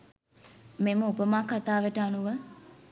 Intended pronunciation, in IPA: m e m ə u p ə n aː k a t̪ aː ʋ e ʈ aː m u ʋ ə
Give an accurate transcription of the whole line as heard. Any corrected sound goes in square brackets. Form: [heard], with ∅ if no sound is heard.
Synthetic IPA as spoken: m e m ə u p ə [m] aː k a t̪ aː ʋ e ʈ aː [n] u ʋ ə